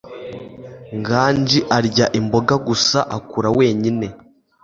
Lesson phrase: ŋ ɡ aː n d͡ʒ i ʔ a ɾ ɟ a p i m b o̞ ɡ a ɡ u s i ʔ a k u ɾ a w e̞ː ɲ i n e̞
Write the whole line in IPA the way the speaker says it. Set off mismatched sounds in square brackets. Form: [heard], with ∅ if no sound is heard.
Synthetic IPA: ŋ ɡ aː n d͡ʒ i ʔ a ɾ ɟ a [ʔ] i m b o̞ ɡ a ɡ u s [a] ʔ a k u ɾ a w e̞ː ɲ i n e̞